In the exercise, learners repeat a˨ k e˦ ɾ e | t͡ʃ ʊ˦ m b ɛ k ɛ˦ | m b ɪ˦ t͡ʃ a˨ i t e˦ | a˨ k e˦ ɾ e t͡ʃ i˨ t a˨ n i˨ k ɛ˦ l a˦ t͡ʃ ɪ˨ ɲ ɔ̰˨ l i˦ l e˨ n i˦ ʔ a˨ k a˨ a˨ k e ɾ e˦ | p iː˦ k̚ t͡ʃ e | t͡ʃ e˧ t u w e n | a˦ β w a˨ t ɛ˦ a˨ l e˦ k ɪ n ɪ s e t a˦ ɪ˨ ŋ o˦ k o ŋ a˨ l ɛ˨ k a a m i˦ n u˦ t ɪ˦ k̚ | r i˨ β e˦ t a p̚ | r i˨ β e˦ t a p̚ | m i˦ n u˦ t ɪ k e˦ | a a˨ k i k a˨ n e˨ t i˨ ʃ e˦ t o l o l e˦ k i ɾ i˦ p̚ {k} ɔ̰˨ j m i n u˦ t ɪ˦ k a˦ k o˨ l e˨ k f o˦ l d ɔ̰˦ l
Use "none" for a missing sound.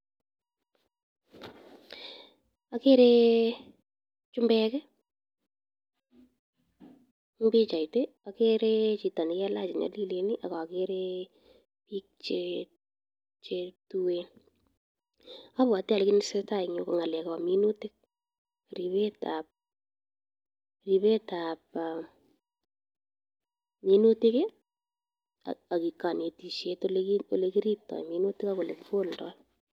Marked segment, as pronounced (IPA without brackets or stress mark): t